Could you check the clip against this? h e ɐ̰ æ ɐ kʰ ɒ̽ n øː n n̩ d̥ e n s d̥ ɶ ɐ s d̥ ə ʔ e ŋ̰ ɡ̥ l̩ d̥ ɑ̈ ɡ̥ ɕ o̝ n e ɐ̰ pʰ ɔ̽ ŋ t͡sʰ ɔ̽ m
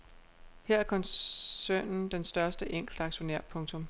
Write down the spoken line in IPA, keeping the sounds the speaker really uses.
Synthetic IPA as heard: h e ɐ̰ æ ɐ kʰ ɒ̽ n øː n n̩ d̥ e n s d̥ ɶ ɐ s d̥ ə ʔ e ŋ̰ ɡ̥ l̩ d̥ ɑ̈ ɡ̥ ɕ o̝ n e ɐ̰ pʰ ɔ̽ ŋ t͡sʰ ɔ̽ m